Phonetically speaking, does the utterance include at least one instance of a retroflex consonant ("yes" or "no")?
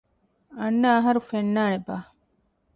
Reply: no